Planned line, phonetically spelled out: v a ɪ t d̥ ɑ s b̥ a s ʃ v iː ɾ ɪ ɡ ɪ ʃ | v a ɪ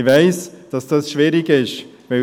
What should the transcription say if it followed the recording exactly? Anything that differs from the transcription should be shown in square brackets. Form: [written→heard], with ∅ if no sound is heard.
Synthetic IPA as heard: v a ɪ [t→s] d̥ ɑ s [b̥→d̥] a s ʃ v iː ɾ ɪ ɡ ɪ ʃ | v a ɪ